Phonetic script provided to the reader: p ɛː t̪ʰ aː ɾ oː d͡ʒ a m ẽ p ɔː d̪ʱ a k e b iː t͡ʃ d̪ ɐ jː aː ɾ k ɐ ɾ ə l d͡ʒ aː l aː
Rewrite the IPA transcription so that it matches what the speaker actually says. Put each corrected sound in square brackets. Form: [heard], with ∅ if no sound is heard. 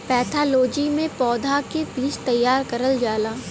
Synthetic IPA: p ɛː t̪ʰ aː [l] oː d͡ʒ [i] m ẽ p ɔː d̪ʱ a k e b iː t͡ʃ [t̪] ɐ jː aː ɾ k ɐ ɾ ə l d͡ʒ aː l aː